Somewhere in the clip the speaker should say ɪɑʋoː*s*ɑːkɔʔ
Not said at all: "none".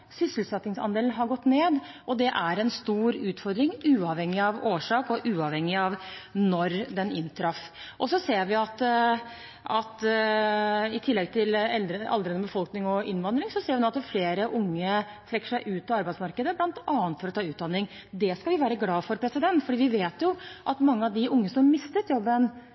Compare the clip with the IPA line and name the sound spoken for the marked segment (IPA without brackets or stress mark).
ʂ